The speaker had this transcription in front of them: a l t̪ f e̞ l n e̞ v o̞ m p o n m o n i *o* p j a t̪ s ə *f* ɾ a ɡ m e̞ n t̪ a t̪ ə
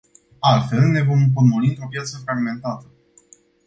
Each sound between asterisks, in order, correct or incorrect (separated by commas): correct, correct